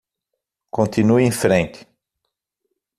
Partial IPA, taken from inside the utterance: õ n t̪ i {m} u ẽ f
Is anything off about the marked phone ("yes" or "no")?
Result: yes